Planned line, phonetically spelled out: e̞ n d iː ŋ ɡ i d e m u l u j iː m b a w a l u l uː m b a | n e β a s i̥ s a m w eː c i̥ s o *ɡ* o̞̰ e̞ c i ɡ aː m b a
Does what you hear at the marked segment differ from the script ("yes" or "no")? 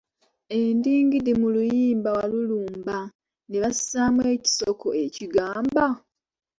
yes